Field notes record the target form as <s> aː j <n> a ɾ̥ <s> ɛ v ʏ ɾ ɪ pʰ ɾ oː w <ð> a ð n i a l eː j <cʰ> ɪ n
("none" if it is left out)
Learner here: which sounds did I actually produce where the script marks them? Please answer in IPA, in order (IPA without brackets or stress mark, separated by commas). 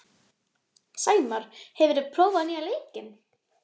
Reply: s, m, h, v, c